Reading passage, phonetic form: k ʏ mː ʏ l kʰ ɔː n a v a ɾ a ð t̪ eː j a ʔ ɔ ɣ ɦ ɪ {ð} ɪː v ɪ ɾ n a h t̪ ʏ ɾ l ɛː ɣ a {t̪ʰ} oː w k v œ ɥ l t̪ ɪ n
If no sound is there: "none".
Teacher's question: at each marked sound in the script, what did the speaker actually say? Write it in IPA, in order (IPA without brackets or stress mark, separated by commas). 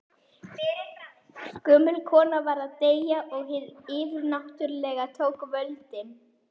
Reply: ð, t̪ʰ